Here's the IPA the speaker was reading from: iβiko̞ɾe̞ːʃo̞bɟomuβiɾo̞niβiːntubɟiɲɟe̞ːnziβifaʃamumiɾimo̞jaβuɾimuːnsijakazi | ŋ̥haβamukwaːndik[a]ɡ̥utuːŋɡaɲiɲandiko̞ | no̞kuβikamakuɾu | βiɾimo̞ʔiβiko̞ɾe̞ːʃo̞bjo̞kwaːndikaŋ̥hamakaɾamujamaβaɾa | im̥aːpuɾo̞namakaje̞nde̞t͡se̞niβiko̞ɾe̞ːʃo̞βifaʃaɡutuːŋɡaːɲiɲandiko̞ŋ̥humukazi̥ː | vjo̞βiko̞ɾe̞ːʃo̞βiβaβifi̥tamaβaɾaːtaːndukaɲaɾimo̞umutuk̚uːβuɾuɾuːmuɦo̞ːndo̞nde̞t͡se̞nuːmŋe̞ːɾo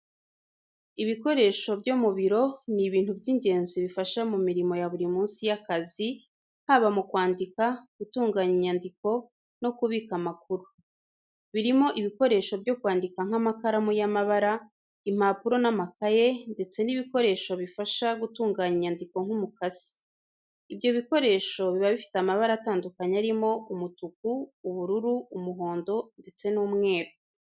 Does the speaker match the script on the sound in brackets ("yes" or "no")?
yes